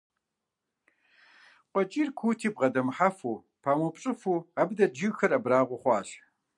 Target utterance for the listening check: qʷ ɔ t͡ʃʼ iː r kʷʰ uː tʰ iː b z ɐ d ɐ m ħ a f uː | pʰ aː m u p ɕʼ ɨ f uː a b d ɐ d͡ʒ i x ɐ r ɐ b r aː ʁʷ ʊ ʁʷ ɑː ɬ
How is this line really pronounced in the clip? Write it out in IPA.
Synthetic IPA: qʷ ɔ t͡ʃʼ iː r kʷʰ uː tʰ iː b ʁ ɐ d ɐ m ħ a f uː | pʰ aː m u p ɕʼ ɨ f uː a b d ɐ d͡ʒ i x ɐ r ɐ b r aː ʁʷ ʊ χʷ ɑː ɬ